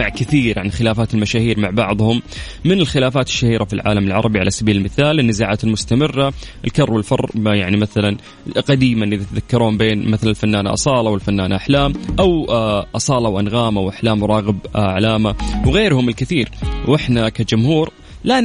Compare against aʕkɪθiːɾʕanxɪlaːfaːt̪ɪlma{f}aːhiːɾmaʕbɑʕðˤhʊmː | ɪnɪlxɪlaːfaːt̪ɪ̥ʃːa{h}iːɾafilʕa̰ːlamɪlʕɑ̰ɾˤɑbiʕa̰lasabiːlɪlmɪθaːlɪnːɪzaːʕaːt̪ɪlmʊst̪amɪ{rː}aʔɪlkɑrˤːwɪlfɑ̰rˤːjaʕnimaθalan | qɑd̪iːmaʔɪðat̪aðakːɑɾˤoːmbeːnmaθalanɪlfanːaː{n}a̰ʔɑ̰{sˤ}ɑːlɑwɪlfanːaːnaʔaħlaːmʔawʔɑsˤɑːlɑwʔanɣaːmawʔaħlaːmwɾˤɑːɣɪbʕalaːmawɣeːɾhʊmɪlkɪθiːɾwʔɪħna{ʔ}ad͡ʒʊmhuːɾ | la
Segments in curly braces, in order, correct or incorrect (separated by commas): incorrect, correct, correct, correct, correct, incorrect